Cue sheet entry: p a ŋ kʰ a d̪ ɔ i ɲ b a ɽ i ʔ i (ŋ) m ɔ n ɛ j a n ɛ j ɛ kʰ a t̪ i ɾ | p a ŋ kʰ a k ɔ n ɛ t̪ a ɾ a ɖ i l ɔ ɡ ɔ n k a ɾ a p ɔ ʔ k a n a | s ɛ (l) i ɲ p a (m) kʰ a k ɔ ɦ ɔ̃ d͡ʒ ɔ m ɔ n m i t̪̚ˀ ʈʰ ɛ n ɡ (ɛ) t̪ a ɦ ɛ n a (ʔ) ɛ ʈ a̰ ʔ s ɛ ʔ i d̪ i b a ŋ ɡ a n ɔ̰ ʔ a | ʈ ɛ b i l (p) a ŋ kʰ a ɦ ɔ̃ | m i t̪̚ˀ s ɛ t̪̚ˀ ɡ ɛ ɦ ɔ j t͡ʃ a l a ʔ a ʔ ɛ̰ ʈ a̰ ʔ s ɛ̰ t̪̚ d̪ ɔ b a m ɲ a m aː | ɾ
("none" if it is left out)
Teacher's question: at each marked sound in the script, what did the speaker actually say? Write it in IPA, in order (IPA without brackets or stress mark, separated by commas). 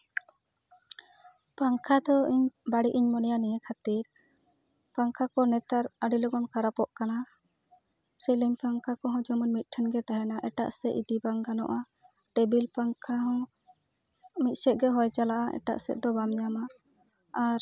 ɲ, l, ŋ, ɛ, ʔ, p